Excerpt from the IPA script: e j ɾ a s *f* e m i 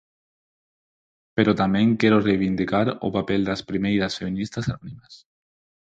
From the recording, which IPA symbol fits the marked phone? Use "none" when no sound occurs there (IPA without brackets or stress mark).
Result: f